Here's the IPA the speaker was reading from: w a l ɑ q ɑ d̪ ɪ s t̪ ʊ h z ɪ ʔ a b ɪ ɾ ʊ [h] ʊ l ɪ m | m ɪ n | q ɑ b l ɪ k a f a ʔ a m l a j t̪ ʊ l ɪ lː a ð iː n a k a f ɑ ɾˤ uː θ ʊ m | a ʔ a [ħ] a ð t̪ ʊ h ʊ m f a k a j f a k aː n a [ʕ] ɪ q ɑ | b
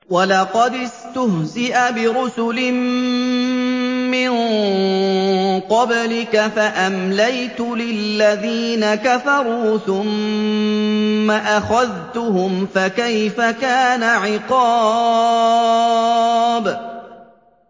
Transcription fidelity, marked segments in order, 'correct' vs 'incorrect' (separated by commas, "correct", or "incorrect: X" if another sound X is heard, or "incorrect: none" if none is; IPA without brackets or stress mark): incorrect: s, incorrect: x, correct